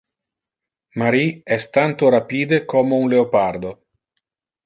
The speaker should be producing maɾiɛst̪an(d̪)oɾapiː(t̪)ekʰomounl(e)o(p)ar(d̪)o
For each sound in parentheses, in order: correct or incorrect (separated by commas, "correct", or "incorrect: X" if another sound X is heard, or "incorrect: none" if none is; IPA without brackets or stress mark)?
incorrect: t̪, incorrect: d̪, correct, correct, correct